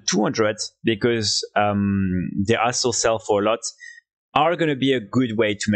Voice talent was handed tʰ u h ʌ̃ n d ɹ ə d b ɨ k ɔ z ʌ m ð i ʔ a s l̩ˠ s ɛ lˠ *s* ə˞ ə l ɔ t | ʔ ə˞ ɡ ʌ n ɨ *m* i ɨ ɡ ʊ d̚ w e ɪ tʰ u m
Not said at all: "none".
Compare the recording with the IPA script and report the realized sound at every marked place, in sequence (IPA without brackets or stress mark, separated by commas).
f, b